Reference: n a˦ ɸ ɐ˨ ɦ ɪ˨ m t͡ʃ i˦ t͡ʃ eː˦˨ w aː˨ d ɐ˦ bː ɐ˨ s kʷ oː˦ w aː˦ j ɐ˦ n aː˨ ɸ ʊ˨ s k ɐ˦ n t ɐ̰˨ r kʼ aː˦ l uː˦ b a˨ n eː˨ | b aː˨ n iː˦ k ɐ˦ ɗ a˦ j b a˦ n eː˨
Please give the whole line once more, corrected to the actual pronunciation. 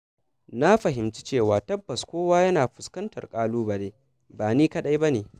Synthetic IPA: n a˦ ɸ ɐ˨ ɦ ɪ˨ m t͡ʃ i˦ t͡ʃ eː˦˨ w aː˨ t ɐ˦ bː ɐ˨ s kʷ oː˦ w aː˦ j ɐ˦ n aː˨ ɸ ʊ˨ s k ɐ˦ n t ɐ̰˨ r kʼ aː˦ l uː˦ b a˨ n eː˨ | b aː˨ n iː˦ k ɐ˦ ɗ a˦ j b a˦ n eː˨